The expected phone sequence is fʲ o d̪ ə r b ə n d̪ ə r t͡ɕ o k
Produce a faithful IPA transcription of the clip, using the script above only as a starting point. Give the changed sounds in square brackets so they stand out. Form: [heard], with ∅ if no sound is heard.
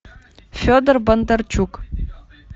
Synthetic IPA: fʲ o d̪ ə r b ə n d̪ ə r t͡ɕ [u] k